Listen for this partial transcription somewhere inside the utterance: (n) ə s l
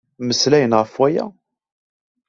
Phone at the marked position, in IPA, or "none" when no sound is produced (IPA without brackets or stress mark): m